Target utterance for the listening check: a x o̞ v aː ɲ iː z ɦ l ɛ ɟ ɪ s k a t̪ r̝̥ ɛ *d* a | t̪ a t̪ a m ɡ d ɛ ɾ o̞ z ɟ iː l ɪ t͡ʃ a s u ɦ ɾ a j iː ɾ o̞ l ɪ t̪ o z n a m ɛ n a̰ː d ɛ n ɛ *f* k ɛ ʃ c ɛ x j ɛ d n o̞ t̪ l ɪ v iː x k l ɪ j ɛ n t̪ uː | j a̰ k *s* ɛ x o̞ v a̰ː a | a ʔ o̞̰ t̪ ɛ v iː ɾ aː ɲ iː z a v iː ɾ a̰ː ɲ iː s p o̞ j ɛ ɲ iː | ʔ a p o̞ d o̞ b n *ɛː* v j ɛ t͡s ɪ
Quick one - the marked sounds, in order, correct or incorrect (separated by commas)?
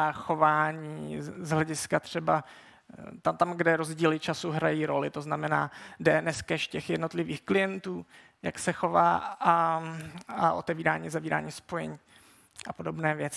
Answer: incorrect, incorrect, correct, correct